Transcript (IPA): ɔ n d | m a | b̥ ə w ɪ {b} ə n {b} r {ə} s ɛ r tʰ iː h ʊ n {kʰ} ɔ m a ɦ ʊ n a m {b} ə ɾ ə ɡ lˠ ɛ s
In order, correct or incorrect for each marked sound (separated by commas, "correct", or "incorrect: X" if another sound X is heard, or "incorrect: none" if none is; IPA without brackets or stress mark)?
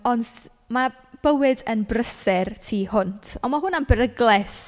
incorrect: d, correct, correct, incorrect: tʰ, correct